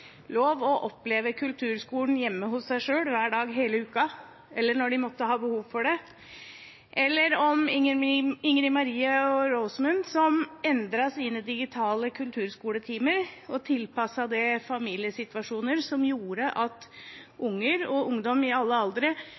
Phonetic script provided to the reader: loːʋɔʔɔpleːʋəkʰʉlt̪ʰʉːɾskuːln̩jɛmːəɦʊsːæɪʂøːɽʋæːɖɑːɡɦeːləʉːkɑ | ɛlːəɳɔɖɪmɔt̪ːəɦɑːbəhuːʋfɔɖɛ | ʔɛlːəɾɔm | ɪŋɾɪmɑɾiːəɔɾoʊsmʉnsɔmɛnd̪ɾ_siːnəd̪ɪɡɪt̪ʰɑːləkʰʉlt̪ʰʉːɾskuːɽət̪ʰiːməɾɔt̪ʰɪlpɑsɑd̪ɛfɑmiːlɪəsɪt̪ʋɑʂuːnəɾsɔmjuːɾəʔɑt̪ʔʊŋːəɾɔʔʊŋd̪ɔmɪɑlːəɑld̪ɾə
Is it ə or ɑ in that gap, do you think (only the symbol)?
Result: ɑ